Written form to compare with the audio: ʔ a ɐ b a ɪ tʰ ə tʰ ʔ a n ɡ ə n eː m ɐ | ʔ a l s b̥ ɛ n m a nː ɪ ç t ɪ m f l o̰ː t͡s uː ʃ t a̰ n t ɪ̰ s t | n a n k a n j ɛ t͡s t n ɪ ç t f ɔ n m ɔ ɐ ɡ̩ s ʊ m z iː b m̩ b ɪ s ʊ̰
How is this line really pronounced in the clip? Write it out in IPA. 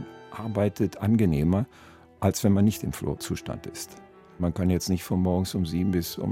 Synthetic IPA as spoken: ʔ a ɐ b a ɪ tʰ ə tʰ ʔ a n ɡ ə n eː m ɐ | ʔ a l s v̥ ɛ n m a nː ɪ ç t ɪ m f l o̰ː t͡s uː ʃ t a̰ n t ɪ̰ s t | m a n k a n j ɛ t͡s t n ɪ ç t f ɔ n m ɔ ɐ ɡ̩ s ʊ m z iː b m̩ b ɪ s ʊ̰